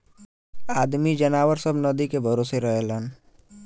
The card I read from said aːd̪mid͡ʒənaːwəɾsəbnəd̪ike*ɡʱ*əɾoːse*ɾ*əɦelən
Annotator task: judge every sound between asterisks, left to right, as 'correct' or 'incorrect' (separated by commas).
incorrect, correct